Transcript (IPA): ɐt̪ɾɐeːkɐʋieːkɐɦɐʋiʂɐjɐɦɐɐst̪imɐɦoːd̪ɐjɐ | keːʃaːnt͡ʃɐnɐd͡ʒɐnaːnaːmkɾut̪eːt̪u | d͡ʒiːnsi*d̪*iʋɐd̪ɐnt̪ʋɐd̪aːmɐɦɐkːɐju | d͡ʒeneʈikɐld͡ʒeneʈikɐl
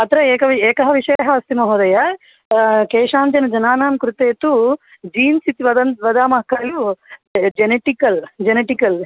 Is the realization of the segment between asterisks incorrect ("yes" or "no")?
yes